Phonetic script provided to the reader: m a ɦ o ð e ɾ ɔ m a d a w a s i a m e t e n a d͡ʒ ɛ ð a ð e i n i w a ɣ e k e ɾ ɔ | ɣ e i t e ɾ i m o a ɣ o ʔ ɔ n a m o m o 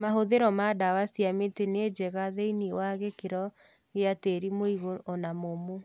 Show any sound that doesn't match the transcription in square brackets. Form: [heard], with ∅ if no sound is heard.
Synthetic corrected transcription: m a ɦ o ð e ɾ ɔ m a d a w a s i a m e t e n [e] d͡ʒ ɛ [ɣ] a ð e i n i w a ɣ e k e ɾ ɔ | ɣ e [a] t e ɾ i m o [i] ɣ o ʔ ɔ n a m o m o